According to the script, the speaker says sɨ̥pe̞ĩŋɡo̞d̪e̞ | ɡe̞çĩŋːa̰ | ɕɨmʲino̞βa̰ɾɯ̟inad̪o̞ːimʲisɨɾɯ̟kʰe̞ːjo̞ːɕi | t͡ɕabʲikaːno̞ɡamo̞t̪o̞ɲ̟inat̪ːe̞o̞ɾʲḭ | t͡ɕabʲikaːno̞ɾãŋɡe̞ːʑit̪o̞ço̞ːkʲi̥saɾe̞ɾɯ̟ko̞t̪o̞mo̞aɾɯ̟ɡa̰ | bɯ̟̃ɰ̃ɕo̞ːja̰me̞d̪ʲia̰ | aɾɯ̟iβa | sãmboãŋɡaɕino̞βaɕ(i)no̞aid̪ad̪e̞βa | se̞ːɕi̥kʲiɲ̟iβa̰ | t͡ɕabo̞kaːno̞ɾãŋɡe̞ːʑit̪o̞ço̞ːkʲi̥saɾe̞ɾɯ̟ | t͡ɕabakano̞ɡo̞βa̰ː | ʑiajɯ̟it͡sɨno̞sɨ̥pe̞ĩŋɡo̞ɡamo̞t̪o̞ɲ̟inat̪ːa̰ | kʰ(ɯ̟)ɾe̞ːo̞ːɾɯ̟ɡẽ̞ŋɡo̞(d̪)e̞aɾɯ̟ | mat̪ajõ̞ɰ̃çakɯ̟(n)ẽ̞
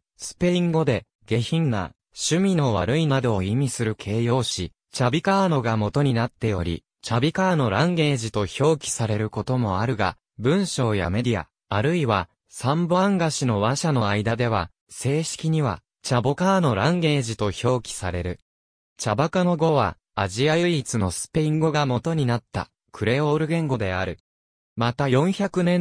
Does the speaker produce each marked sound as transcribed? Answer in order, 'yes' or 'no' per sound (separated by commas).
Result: no, yes, yes, yes